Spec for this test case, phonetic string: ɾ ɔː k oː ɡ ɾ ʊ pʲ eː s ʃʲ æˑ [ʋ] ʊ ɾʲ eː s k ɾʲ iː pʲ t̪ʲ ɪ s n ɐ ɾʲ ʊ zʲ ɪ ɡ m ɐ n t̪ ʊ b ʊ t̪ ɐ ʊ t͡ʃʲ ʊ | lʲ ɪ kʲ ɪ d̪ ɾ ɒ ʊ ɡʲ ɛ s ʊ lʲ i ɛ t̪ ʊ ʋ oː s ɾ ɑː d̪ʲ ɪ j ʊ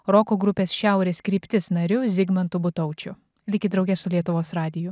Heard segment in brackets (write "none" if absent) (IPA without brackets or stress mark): none